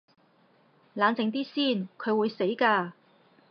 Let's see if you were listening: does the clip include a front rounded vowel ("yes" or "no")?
no